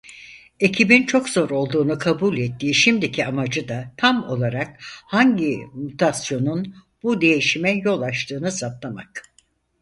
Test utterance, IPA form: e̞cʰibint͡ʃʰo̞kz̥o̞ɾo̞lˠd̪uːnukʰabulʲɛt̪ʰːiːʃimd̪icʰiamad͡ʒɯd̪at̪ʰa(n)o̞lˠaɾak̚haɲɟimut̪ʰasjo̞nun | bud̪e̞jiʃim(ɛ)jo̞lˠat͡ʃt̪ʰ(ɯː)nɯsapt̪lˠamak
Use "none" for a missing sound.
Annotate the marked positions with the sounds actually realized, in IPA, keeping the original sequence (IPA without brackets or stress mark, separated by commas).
m, ɛ, ɯː